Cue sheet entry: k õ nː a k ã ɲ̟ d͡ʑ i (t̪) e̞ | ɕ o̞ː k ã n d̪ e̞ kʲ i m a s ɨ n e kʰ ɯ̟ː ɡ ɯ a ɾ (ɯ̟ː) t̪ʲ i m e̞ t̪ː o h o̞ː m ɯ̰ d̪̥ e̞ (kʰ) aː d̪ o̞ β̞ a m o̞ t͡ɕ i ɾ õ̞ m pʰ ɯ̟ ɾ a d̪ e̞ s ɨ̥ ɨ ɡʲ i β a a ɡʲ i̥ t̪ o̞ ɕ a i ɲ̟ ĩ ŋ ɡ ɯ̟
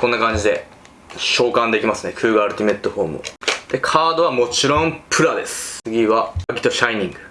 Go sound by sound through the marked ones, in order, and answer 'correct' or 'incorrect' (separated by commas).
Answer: incorrect, incorrect, correct